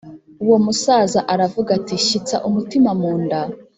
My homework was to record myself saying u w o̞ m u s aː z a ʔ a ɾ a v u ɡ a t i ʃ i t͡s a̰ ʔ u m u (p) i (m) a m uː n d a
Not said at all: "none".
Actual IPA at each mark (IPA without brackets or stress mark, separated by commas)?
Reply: t, m